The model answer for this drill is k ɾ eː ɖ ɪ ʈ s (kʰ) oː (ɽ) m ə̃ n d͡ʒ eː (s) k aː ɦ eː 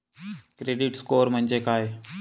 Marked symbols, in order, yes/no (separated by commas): no, no, no